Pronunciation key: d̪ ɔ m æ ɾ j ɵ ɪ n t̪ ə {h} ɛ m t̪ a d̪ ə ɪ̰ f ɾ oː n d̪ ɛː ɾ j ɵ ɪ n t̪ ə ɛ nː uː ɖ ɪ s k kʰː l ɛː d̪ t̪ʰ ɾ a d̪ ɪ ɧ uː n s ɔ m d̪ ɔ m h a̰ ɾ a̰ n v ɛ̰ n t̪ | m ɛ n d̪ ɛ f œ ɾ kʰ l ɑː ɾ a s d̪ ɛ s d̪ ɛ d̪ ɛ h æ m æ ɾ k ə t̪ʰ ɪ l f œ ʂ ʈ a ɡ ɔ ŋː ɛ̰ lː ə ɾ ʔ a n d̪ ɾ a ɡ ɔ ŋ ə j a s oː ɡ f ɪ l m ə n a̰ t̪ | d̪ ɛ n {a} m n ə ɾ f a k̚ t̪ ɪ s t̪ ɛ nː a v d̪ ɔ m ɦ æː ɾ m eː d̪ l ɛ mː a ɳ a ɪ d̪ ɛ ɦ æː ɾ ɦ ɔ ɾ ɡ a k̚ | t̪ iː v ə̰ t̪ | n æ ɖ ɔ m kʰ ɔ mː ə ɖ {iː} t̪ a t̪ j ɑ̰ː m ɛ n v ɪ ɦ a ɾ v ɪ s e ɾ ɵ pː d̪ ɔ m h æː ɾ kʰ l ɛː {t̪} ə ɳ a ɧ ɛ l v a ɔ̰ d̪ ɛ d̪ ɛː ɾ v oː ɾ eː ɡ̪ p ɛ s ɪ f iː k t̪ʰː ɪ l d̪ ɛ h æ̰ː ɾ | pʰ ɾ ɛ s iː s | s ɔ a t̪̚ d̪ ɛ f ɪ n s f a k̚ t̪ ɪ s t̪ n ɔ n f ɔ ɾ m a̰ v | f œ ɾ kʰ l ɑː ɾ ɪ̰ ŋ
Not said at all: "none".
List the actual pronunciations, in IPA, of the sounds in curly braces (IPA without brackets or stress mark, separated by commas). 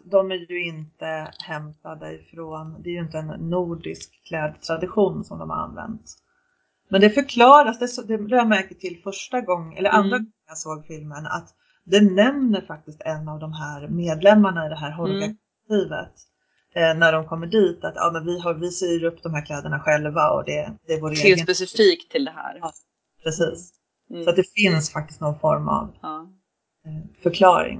h, ɛ, iː, d̪